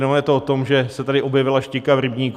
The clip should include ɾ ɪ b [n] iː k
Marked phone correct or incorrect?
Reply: incorrect